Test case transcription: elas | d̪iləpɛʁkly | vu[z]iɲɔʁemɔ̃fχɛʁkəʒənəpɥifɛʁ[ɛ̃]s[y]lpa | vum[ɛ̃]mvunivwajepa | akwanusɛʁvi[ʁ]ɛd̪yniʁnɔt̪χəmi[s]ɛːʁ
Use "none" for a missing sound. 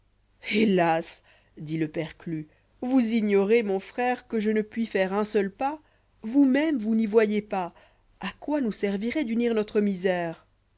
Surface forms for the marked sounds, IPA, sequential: z, ɛ̃, œ, ɛ, ʁ, z

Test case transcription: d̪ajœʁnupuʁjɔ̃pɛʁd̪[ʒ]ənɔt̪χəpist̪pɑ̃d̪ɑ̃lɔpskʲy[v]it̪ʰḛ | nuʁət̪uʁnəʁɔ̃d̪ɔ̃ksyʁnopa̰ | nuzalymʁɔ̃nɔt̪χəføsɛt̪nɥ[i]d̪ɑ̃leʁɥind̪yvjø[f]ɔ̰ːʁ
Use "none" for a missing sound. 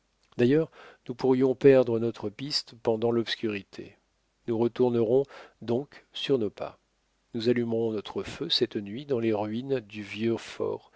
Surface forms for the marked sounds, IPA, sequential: ʁ, ʁ, i, f

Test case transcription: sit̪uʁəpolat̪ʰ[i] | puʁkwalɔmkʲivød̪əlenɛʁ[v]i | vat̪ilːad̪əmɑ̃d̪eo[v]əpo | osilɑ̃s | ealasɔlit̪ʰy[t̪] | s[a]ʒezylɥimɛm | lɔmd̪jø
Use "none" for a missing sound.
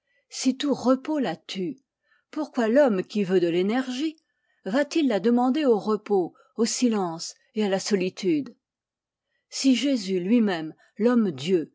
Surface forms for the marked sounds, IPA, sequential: y, ʒ, ʁ, d̪, i

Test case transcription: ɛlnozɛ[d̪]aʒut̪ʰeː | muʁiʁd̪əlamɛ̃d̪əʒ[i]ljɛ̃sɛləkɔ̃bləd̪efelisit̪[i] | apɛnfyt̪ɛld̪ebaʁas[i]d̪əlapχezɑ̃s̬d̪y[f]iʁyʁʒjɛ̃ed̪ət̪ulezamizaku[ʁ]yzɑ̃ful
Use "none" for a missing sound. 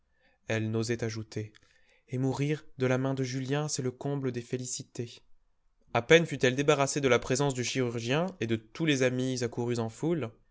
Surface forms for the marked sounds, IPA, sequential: t̪, y, e, e, ʃ, ʁ

